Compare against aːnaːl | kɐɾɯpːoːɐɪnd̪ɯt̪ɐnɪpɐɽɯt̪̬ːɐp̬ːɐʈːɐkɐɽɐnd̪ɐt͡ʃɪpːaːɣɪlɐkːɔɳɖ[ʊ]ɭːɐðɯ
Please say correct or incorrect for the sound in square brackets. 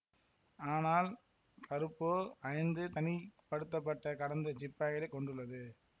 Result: incorrect